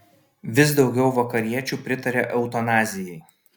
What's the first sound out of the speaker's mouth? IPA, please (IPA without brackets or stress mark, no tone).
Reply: ʋʲ